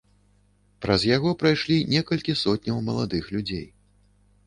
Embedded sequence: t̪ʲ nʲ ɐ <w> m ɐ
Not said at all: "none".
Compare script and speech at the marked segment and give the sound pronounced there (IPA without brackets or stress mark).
w